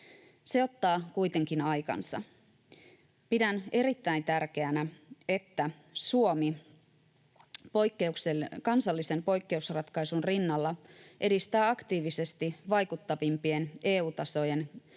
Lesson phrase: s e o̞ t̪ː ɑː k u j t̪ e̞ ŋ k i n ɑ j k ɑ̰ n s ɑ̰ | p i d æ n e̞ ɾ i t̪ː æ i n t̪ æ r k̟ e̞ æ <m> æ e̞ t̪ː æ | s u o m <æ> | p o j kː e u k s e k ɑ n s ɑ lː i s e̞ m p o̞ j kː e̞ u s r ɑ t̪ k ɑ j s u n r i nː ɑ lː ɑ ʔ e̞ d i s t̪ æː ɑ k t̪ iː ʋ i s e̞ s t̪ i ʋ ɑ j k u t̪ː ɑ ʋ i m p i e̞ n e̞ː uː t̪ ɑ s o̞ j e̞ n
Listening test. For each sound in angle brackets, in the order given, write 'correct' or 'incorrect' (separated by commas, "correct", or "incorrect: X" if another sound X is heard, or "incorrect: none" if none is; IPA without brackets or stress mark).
incorrect: n, incorrect: i